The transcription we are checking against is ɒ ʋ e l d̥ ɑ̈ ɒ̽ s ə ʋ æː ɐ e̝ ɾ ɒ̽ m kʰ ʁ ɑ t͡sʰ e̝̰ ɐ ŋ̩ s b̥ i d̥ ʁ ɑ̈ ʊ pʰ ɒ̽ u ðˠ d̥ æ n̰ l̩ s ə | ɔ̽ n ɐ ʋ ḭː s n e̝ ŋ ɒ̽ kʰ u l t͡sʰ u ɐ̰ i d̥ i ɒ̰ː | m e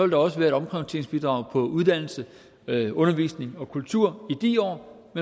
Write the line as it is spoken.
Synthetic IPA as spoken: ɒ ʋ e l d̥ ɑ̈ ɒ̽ s ə ʋ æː ɐ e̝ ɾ ɒ̽ m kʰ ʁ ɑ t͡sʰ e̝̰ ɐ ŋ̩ s b̥ i d̥ ʁ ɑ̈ ʊ pʰ ɒ̽ u ðˠ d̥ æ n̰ l̩ s ə | ɔ̽ n ɐ ʋ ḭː s n e̝ ŋ ɒ̽ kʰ u l t͡sʰ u ɐ̰ i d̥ i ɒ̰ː | m e